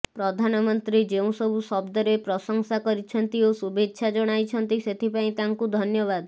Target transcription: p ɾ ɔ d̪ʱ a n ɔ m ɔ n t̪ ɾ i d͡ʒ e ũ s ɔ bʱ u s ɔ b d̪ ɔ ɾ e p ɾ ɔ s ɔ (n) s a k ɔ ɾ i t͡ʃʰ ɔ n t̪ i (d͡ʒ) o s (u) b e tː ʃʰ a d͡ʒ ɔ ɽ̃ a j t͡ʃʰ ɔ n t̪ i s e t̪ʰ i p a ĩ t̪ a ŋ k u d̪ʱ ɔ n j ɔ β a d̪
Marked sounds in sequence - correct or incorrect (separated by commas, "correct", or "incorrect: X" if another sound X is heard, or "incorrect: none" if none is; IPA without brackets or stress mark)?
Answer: incorrect: ŋ, incorrect: none, correct